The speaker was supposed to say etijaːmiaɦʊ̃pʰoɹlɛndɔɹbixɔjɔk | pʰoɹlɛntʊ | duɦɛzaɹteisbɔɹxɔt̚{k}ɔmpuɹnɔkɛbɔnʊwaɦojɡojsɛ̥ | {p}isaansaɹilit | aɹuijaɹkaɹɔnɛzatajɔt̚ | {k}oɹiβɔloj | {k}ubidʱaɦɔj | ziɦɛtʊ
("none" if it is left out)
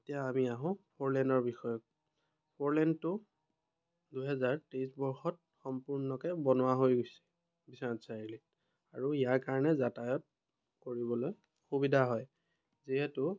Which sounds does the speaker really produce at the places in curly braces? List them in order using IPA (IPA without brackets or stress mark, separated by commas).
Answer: x, b, k, x